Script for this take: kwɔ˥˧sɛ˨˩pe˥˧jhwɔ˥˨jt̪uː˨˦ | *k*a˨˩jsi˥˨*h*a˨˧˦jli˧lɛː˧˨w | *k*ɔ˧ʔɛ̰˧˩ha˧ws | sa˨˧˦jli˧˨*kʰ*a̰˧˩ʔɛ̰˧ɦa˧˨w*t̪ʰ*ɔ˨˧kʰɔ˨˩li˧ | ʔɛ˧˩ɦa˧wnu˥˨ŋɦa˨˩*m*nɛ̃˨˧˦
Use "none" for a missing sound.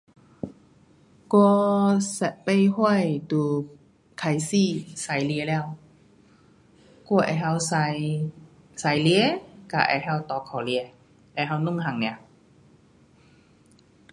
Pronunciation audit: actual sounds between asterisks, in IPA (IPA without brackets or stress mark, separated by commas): kʰ, s, k, k, t̪, ŋ